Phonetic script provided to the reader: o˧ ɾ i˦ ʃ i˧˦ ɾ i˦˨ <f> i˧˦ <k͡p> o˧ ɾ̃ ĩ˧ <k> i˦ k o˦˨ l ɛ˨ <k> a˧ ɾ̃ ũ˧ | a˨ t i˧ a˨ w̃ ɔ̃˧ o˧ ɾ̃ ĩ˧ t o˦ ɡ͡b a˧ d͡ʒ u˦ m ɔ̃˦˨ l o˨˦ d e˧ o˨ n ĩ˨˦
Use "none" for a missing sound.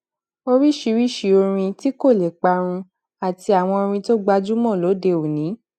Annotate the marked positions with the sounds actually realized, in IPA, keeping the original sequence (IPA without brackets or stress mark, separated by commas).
ʃ, none, t, k͡p